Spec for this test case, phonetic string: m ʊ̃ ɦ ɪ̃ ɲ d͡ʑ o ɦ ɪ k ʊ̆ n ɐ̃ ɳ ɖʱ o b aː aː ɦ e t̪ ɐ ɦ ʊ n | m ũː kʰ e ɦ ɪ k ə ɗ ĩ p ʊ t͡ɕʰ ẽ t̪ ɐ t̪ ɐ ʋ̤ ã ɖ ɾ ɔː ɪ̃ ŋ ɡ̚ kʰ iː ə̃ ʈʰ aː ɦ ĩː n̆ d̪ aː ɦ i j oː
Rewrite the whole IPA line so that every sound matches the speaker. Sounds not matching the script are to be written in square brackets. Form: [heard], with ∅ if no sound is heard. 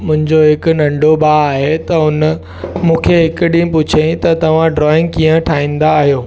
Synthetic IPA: m ʊ̃ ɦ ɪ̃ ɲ d͡ʑ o ɦ ɪ k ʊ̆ n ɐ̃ ɳ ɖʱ o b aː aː ɦ e t̪ ɐ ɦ ʊ n | m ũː kʰ e ɦ ɪ k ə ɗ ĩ p ʊ t͡ɕʰ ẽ t̪ ɐ t̪ ɐ ʋ̤ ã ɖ ɾ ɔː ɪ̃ ŋ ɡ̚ [k] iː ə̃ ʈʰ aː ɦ ĩː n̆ d̪ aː ɦ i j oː